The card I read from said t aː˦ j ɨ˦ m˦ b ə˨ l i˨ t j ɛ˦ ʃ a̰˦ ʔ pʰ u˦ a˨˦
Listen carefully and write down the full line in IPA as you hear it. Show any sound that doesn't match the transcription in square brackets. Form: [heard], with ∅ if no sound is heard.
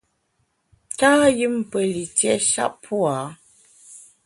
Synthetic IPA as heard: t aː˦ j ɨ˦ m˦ [p] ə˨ l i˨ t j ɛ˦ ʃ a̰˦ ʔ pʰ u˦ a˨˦